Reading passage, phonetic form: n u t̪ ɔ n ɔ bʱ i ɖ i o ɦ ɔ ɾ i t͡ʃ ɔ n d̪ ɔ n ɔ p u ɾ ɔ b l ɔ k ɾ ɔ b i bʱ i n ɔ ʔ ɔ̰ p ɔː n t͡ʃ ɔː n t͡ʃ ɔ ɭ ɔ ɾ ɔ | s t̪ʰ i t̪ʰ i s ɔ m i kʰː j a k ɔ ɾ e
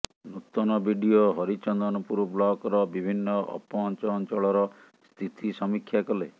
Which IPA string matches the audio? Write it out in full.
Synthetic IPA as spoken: n u t̪ ɔ n ɔ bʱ i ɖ i o ɦ ɔ ɾ i t͡ʃ ɔ n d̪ ɔ n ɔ p u ɾ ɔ b l ɔ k ɾ ɔ b i bʱ i nː ɔ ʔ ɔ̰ p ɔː n t͡ʃ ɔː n t͡ʃ ɔ ɭ ɔ ɾ ɔ | s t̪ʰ i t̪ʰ i s ɔ m i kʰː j a k ɔ l e